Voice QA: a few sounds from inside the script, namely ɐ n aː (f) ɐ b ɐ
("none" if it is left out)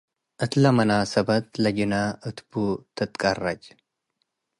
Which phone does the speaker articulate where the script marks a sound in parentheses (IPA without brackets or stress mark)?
s